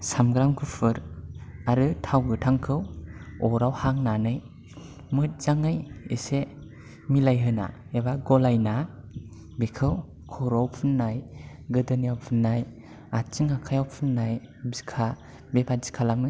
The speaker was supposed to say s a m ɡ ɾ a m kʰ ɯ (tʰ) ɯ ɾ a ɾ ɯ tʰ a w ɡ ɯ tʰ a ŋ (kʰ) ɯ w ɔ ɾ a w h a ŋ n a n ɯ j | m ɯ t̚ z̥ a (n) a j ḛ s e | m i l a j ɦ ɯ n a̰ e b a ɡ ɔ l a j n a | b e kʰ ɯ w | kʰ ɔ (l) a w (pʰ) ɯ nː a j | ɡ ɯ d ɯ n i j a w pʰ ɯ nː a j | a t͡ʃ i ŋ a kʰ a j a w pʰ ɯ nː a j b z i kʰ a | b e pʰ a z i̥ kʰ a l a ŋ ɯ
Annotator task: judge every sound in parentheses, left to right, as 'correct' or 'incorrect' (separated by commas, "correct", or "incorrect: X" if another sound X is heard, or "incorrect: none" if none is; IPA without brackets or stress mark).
incorrect: pʰ, correct, incorrect: ŋ, incorrect: ɾ, correct